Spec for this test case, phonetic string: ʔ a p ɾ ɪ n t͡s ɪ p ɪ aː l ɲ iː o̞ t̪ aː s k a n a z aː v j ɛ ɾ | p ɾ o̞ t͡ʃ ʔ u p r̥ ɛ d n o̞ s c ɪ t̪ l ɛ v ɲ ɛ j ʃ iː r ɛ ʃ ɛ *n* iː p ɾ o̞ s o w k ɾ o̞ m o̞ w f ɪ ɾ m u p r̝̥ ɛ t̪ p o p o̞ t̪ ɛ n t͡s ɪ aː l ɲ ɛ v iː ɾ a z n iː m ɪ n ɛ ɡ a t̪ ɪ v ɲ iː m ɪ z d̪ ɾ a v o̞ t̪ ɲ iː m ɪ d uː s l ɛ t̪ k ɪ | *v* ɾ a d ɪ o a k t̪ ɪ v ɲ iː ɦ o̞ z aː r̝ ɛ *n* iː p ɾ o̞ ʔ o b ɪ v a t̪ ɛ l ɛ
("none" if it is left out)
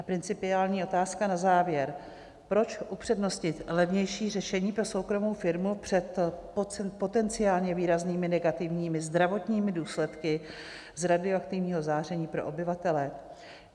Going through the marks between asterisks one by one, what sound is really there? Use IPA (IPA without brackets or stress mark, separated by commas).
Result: ɲ, z, ɲ